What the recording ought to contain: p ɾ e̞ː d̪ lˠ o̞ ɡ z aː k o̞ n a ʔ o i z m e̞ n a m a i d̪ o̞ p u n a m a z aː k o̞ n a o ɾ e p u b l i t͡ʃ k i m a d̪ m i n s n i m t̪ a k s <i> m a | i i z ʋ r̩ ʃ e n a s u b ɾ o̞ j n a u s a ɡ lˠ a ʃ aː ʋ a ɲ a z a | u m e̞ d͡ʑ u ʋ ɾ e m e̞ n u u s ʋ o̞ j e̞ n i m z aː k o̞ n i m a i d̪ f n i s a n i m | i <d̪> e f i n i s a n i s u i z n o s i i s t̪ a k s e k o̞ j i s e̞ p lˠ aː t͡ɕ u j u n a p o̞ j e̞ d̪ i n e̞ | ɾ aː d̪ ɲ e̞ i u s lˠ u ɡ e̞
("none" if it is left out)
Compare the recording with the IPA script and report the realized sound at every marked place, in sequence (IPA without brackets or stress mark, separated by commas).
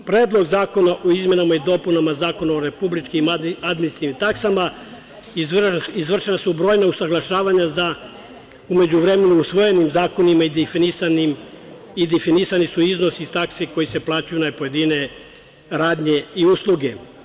a, d̪